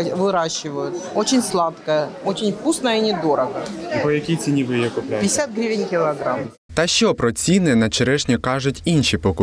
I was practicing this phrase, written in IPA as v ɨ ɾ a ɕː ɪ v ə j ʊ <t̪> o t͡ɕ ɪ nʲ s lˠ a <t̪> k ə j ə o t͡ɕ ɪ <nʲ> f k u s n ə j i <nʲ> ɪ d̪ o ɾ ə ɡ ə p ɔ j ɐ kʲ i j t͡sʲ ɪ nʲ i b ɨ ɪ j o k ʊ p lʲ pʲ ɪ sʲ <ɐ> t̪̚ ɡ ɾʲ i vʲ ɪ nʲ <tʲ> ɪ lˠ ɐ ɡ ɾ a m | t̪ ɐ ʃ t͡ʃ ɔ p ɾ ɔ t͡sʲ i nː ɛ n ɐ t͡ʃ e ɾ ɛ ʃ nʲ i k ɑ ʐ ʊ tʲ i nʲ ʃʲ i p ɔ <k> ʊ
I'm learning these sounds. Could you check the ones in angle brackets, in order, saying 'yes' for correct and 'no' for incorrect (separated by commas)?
yes, yes, yes, yes, no, no, yes